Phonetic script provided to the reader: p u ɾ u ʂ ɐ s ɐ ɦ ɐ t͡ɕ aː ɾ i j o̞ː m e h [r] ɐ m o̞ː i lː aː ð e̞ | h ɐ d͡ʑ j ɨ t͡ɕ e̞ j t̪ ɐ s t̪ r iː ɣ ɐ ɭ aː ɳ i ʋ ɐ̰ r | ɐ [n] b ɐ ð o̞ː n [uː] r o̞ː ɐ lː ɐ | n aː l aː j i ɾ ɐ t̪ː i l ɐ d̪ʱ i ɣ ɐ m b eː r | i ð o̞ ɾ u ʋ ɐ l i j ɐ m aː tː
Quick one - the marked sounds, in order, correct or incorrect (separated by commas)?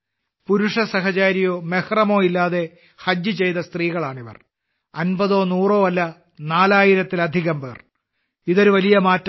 correct, correct, correct